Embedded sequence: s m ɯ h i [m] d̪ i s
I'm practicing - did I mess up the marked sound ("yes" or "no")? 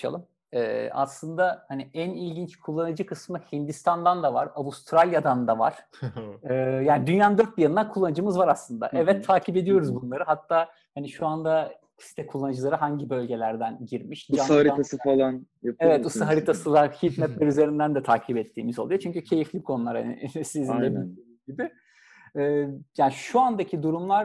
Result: yes